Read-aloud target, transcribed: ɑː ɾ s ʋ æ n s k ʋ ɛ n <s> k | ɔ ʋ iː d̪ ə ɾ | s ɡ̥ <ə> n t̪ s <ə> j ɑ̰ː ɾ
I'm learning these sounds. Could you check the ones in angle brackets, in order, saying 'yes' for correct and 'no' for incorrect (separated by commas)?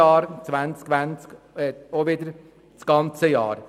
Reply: yes, no, yes